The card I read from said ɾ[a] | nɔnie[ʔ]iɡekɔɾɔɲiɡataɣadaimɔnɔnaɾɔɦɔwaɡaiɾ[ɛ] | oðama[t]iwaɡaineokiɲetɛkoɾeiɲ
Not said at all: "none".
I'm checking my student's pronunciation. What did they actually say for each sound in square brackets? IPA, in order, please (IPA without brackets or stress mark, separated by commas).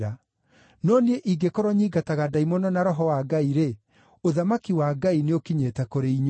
a, ʔ, e, k